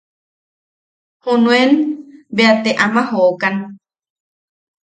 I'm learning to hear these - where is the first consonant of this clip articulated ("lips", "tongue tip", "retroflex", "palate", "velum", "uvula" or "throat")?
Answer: throat